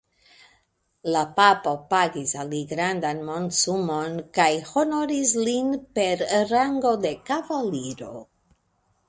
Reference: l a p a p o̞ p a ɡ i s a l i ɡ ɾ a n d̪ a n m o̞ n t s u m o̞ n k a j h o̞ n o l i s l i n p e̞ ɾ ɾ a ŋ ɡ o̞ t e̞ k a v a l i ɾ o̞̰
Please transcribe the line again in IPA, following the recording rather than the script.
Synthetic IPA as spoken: l a p a p o̞ p a ɡ i s a l i ɡ ɾ a n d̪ a n m o̞ n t s u m o̞ n k a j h o̞ n o ɾ i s l i n p e̞ ɾ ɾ a ŋ ɡ o̞ d e̞ k a v a l i ɾ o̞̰